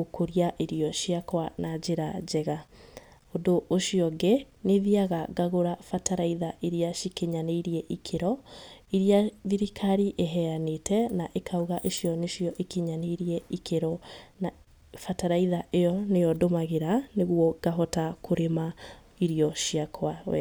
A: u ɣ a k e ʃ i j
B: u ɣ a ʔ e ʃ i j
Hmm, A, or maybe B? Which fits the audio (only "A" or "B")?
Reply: B